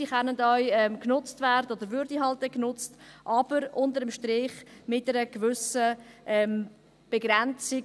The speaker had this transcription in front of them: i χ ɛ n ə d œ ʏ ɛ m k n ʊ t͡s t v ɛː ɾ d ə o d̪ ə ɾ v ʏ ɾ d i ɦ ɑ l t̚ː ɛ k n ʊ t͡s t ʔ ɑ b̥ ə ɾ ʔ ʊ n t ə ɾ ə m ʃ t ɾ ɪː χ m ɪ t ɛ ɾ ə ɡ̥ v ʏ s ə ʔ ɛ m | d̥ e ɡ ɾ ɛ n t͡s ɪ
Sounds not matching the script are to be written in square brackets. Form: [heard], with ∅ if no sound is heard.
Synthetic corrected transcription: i χ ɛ n ə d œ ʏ ɛ m k n ʊ t͡s t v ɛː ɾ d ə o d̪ ə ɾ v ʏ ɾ d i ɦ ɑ l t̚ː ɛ k n ʊ t͡s t ʔ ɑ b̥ ə ɾ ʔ ʊ n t ə ɾ ə m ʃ t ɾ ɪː χ m ɪ t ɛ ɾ ə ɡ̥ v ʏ s ə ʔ ɛ m | [b̥] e ɡ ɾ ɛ n t͡s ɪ

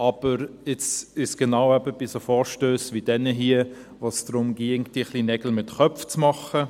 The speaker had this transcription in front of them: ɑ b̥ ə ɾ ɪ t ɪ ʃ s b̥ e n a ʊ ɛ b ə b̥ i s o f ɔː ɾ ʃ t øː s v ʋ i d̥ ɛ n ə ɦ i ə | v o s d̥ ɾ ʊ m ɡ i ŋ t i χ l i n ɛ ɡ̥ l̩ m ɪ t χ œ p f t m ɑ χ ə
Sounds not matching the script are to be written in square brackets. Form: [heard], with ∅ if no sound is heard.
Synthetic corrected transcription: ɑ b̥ ə ɾ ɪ [t͡s] ɪ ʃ s [ɡ̥] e n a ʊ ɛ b ə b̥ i s o f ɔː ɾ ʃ t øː s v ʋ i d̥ ɛ n ə ɦ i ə | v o s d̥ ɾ ʊ m ɡ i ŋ t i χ l i n ɛ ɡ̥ l̩ m ɪ t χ œ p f [t͡s] m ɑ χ ə

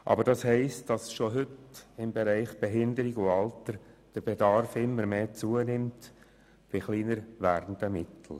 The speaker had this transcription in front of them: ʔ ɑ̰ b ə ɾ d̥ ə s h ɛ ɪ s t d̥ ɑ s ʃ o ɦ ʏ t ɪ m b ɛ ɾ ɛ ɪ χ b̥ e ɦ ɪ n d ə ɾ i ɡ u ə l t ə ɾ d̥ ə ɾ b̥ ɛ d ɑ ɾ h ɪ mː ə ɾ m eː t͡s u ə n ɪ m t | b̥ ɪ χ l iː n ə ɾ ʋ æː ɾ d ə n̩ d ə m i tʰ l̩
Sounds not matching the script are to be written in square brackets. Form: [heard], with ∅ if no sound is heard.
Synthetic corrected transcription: ʔ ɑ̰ b ə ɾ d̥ [ɑ] s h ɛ ɪ s t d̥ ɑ s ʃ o ɦ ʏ t ɪ m b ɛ ɾ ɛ ɪ χ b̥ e ɦ ɪ n d ə ɾ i ɡ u [ɑ] l t ə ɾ d̥ ə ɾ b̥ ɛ d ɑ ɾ [f] ɪ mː ə ɾ m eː t͡s u ə n ɪ m t | b̥ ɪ χ l iː n ə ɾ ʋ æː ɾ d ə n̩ d ə m [ɪ] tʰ l̩

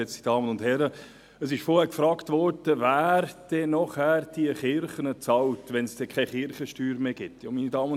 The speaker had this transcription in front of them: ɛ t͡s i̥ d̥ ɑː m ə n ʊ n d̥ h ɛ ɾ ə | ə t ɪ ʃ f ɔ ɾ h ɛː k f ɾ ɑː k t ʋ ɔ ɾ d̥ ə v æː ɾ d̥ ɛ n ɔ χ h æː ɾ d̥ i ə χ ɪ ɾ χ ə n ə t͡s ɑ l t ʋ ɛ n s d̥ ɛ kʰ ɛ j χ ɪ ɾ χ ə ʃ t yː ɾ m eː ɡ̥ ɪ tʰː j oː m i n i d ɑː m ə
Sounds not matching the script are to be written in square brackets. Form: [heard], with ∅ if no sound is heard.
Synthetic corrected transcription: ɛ t͡s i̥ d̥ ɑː m ə n ʊ n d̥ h ɛ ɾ ə | ə [s] ɪ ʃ f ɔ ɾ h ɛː k f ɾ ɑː k t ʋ ɔ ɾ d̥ ə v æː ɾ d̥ ɛ n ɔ χ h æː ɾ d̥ i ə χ ɪ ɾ χ ə n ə t͡s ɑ l t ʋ ɛ n s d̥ ɛ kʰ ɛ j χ ɪ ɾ χ ə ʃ t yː ɾ m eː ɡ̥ ɪ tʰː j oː m i n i d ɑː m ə

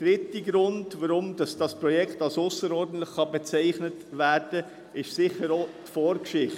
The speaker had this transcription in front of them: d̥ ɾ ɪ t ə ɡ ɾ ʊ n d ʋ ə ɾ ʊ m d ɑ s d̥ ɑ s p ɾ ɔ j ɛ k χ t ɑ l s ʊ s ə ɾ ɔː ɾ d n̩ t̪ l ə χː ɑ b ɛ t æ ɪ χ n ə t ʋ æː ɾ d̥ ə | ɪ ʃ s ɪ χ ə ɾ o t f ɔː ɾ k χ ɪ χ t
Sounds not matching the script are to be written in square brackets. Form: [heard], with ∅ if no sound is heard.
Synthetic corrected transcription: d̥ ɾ ɪ t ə ɡ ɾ ʊ n d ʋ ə ɾ ʊ m d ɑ s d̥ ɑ s p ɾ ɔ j ɛ k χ t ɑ l s ʊ s ə ɾ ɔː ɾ d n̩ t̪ l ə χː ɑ b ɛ [t͡s] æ ɪ χ n ə t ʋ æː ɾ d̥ ə | ɪ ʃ s ɪ χ ə ɾ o t f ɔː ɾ k [ʃ] ɪ χ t

